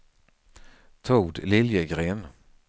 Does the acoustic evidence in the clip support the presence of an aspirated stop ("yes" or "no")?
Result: yes